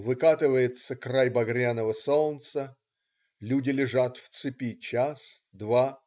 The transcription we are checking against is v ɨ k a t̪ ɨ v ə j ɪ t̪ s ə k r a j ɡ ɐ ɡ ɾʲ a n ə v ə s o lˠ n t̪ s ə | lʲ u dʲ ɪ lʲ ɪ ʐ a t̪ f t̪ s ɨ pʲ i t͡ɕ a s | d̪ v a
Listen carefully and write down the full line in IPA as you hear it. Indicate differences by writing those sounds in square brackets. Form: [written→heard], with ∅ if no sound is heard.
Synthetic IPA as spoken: v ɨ k a t̪ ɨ v ə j ɪ t̪ s ə k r a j [ɡ→b] ɐ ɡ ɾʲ a n ə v ə s o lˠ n t̪ s ə | lʲ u dʲ ɪ lʲ ɪ ʐ a t̪ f t̪ s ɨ pʲ i t͡ɕ a s | d̪ v a